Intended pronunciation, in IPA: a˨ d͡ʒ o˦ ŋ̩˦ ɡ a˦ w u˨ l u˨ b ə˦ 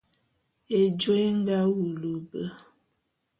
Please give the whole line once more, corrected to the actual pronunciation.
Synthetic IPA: e˨ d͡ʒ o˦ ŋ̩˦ ɡ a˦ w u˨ l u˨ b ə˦